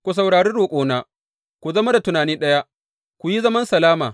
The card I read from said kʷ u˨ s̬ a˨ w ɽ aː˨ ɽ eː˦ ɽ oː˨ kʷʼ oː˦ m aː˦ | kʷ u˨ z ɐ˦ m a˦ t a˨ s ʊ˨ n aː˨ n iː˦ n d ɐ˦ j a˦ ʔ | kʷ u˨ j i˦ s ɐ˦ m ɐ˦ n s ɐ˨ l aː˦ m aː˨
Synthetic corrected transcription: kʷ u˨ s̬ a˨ w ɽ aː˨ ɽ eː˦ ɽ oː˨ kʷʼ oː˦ n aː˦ | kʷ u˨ z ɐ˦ m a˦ d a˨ t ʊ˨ n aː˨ n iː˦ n ɗ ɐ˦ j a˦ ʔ | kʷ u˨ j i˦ z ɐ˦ m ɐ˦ n s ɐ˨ l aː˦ m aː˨